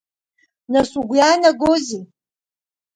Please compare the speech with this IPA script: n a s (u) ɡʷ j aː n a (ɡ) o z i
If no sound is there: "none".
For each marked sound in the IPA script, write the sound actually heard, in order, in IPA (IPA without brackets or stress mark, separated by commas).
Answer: u, ɡ